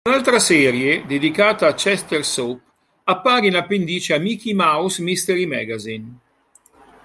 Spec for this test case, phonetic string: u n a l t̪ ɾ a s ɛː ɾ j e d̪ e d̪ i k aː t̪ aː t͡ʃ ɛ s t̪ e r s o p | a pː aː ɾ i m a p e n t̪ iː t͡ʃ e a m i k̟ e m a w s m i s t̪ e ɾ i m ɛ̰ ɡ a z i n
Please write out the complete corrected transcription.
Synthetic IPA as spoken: u n a l t̪ ɾ a s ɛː ɾ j e d̪ e d̪ i k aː t̪ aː t͡ʃ ɛ s t̪ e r s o p | a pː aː ɾ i n a p e n d̪ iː t͡ʃ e a m i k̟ i m a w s m i s t̪ e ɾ i m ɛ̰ ɡ a z i n